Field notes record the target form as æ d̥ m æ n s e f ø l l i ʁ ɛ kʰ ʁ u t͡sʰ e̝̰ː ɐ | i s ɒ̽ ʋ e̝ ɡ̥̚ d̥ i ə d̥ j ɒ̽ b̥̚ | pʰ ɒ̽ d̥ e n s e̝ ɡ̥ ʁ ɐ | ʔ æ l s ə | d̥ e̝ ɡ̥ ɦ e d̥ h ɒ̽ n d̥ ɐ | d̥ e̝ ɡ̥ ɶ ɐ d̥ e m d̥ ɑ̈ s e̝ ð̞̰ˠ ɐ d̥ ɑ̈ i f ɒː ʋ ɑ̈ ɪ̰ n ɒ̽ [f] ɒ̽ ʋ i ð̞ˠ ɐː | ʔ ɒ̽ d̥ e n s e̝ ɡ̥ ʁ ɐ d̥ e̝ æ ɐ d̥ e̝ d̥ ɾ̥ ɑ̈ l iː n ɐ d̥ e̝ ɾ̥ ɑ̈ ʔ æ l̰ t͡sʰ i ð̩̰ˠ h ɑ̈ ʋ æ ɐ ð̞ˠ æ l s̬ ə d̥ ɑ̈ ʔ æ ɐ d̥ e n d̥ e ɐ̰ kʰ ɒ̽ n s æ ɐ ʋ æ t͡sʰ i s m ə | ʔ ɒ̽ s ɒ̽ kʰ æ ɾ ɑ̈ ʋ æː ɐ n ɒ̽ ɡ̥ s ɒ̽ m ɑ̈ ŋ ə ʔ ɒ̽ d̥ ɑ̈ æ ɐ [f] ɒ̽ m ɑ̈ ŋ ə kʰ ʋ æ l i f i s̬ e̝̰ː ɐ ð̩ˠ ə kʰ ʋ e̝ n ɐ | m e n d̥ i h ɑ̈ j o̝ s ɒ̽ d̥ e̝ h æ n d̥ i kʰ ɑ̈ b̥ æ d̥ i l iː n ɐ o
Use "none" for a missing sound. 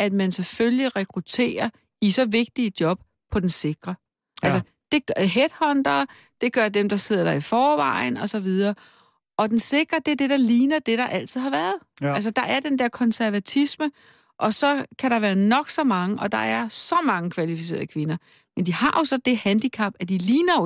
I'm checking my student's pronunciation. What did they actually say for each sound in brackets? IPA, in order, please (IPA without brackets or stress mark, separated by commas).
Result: s, s